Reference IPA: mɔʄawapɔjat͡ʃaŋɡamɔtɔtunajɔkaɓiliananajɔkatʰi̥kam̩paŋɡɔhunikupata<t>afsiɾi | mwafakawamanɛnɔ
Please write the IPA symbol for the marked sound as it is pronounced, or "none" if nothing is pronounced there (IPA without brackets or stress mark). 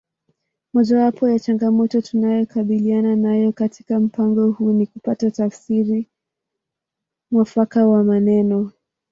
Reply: t